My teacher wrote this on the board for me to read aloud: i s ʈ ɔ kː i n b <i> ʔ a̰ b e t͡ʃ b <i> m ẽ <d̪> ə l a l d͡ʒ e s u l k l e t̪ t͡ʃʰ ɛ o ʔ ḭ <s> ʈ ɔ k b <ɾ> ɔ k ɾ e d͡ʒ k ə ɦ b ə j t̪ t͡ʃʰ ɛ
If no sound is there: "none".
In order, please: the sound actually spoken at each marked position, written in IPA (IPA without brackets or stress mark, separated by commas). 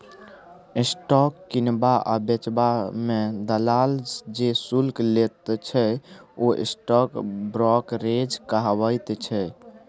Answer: a, a, d̪, s, ɾ